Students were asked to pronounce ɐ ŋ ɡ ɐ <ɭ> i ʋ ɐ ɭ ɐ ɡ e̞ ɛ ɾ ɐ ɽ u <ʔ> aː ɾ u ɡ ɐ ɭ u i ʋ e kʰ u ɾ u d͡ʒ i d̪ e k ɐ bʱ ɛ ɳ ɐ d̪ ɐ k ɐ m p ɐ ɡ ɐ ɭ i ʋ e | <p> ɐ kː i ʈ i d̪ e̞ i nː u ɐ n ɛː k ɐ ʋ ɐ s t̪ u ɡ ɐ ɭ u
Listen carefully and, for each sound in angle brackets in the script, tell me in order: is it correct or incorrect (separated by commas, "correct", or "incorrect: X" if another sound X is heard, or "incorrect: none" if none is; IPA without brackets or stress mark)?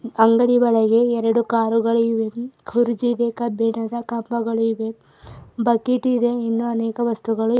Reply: incorrect: ɽ, incorrect: k, incorrect: b